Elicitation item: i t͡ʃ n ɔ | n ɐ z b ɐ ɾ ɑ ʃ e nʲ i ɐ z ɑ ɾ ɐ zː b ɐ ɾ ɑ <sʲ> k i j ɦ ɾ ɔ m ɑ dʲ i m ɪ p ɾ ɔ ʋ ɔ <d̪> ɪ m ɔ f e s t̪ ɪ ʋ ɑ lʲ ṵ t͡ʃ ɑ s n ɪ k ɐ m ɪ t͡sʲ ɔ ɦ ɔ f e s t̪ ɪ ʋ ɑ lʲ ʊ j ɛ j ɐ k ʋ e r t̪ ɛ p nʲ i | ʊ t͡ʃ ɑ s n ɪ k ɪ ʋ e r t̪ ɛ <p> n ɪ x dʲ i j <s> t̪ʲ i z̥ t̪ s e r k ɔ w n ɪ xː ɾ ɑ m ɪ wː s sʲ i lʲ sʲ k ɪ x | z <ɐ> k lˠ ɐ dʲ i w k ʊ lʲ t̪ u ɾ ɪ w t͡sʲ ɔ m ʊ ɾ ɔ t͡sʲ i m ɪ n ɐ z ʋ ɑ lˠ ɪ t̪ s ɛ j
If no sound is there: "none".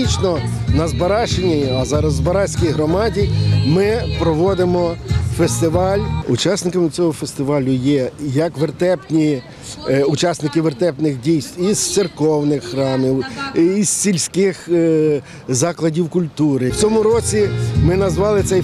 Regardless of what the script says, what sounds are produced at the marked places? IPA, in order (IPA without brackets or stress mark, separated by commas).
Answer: sʲ, d̪, p, s, ɑ